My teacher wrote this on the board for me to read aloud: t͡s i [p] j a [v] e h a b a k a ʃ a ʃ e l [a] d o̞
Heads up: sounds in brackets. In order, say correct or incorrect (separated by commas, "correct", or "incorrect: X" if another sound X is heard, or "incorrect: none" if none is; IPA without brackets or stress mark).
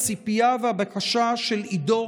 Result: correct, correct, incorrect: i